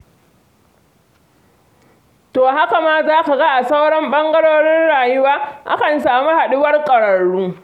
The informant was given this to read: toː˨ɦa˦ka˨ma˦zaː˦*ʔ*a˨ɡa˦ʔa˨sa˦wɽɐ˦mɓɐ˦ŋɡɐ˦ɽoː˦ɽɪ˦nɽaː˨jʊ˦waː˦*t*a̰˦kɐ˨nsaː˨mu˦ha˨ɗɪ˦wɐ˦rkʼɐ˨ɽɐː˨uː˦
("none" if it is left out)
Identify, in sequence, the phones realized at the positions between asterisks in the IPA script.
k, ʔ

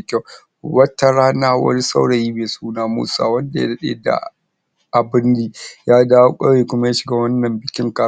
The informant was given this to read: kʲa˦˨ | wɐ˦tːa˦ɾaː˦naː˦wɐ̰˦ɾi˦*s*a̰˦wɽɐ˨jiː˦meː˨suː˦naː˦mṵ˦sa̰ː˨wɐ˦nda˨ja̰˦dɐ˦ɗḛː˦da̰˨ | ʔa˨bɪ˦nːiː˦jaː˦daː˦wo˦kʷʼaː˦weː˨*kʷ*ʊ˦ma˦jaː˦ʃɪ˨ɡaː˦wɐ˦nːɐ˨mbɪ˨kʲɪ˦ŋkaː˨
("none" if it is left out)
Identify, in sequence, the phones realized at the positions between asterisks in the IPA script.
s, kʷ

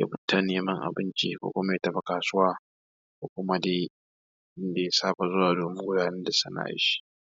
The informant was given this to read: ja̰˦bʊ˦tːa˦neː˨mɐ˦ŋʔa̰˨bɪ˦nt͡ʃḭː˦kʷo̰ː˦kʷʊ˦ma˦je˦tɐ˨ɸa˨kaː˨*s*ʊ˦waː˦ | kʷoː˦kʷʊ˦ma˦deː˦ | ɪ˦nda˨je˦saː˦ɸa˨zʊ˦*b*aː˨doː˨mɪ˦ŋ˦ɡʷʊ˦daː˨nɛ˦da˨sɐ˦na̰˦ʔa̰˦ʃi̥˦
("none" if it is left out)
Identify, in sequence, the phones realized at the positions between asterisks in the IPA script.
s, w

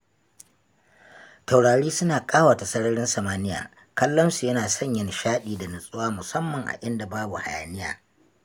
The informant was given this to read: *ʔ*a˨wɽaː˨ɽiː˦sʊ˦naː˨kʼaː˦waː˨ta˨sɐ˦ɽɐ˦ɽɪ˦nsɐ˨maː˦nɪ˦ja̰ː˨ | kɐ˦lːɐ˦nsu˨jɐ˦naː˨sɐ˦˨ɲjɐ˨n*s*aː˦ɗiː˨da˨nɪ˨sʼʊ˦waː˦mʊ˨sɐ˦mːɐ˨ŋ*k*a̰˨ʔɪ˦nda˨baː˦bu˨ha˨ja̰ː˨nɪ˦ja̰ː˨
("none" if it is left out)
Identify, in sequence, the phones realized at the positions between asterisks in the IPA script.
t, ʃ, ʔ

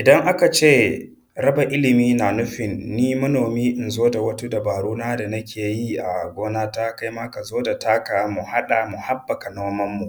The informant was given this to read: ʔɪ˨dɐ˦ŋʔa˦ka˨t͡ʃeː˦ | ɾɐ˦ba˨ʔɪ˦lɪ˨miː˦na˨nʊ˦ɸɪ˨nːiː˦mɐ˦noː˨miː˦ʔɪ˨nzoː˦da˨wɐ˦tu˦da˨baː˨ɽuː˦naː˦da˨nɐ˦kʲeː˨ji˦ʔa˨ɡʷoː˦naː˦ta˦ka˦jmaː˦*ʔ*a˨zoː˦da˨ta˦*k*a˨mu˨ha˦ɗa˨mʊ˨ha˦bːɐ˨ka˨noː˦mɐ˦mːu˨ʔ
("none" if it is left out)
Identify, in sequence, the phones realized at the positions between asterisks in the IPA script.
k, k

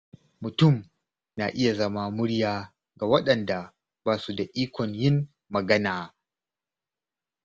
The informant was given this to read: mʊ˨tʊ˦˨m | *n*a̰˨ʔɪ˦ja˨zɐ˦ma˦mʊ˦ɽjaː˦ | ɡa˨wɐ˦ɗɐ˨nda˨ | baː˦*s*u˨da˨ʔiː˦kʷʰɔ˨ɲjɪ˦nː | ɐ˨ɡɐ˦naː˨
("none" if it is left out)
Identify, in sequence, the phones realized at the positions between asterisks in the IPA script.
n, s

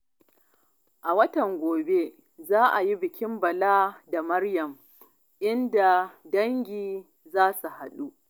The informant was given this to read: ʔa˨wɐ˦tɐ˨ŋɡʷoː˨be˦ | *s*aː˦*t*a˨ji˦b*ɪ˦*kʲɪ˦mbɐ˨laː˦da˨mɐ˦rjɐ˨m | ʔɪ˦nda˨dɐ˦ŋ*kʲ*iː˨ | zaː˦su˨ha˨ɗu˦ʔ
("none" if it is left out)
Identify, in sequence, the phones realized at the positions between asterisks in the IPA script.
z, ʔ, ɪ˨, ɡʲ

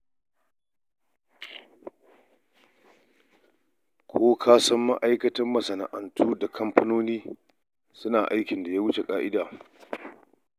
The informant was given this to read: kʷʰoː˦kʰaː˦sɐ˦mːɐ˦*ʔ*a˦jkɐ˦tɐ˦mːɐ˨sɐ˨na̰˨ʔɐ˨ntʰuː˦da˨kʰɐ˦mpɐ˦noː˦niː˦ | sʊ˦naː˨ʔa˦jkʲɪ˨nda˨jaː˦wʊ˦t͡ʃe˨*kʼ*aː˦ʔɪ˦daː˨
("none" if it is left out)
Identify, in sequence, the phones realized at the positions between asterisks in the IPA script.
ʔ, kʼ

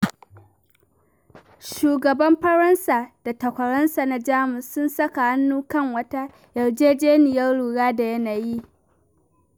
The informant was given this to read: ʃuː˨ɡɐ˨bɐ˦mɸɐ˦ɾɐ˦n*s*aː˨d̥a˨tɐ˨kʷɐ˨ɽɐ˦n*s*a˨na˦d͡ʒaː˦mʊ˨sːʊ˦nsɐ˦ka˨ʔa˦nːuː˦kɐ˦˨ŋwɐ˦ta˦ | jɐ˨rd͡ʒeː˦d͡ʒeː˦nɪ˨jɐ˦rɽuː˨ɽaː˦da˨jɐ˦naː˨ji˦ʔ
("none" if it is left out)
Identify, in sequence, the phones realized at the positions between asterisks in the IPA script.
s, s

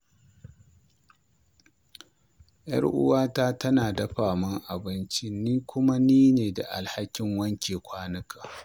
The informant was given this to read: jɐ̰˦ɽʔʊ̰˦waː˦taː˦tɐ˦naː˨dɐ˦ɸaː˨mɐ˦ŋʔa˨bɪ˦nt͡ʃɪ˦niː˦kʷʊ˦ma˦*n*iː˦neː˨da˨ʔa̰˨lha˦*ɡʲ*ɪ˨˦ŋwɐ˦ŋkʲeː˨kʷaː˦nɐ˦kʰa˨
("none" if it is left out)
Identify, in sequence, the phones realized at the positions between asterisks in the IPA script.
n, kʲ

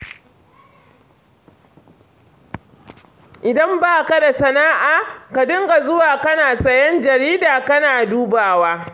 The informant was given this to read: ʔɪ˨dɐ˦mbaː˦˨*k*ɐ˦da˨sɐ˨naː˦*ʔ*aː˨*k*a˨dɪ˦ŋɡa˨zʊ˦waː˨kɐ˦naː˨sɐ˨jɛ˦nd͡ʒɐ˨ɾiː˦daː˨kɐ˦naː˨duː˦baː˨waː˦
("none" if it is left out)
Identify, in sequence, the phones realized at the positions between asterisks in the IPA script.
k, ʔ, k

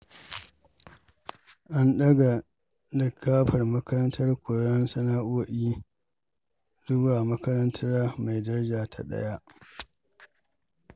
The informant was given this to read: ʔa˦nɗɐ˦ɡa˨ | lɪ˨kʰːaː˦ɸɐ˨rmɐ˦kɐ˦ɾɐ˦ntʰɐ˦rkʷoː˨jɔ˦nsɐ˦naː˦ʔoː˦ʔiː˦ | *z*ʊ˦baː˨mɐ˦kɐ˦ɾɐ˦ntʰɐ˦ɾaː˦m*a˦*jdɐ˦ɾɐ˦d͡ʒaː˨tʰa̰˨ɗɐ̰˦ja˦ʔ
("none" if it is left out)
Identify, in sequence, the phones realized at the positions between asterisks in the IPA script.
z, a˨

